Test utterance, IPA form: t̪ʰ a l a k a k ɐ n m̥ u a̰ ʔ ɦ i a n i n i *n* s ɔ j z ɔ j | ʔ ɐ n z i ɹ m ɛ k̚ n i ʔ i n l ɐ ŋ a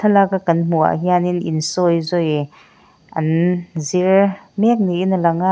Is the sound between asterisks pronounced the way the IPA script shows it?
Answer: yes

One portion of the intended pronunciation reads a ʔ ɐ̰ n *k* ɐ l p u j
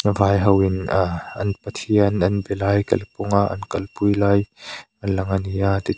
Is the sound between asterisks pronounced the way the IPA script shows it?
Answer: yes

